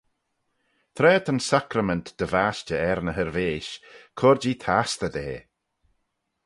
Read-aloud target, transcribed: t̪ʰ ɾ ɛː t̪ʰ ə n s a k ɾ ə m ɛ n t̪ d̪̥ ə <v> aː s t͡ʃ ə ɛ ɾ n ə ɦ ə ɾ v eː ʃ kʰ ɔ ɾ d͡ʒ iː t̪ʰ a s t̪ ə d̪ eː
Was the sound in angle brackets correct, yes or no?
yes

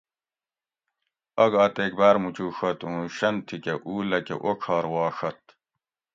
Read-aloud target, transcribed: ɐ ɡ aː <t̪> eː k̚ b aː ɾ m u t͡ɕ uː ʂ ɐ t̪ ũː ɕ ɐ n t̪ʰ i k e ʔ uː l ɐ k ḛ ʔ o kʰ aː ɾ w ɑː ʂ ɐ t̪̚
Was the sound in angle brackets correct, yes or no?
yes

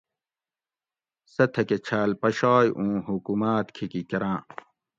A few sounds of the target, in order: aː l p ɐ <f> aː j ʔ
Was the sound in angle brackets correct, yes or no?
no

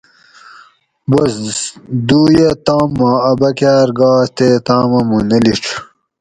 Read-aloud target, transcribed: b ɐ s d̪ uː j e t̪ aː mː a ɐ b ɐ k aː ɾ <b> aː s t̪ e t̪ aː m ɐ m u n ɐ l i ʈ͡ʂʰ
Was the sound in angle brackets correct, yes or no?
no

